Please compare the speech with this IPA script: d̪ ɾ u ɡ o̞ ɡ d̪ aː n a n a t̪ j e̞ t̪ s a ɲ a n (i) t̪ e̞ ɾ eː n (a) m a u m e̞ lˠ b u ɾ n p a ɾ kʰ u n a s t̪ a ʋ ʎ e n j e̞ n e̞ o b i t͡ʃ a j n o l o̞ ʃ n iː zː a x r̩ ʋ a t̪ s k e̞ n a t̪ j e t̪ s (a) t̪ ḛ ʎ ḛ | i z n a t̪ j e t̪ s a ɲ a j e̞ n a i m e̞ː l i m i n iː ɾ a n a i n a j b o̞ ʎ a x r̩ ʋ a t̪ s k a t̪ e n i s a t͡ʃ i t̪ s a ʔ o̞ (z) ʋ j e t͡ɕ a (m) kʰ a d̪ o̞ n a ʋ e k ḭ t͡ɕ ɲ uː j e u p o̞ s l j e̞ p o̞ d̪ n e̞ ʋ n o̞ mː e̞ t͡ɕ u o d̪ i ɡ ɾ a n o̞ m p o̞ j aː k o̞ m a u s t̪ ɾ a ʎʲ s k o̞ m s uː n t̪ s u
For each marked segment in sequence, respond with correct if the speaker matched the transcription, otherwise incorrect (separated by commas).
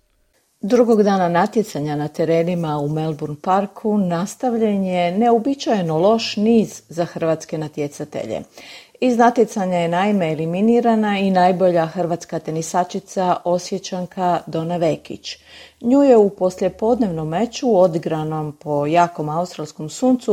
incorrect, incorrect, correct, incorrect, incorrect